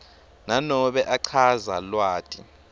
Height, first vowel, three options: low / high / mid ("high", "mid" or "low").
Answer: low